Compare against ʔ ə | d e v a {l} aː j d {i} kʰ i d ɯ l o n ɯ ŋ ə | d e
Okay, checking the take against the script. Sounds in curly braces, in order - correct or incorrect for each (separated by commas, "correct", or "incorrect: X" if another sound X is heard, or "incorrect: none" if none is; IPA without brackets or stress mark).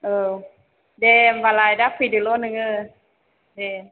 correct, incorrect: a